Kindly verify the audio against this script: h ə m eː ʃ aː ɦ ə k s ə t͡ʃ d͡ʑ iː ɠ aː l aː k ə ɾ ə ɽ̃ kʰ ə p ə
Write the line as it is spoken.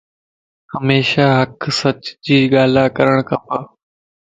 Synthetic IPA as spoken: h ə m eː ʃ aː ɦ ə k s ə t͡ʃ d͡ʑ iː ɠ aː l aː k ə ɾ ə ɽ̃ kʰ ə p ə